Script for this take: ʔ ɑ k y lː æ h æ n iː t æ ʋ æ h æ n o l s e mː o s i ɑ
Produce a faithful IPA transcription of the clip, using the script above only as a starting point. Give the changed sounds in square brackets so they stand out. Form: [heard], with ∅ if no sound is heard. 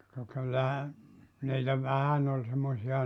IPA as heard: [k] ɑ k y lː æ h æ n iː t æ ʋ æ h æ n o l s e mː o s i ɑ